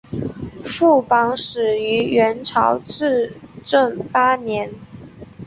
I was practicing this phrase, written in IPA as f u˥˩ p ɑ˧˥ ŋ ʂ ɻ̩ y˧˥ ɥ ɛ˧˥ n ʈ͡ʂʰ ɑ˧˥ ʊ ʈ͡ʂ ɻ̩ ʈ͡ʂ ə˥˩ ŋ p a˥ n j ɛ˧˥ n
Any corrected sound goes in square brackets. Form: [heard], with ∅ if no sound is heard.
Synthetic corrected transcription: f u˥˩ p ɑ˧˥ ŋ ʂ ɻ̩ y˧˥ ɥ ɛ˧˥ n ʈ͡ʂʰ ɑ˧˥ ʊ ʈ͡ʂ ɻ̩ ʈ͡ʂ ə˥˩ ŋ p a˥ n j ɛ˧˥ n